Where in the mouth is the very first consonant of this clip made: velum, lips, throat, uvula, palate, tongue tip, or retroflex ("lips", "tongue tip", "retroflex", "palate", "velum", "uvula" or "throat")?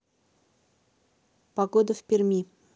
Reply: lips